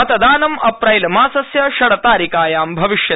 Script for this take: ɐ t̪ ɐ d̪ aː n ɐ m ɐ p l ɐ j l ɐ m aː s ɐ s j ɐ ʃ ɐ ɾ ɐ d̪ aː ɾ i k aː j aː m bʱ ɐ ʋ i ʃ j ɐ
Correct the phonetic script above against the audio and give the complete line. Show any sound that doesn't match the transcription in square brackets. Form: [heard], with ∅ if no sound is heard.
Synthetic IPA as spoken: ɐ t̪ ɐ d̪ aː n ɐ m ɐ p [ɾ] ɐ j l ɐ m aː s ɐ s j ɐ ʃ ɐ [ɽ] ɐ [t̪] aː ɾ i k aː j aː m bʱ ɐ ʋ i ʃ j ɐ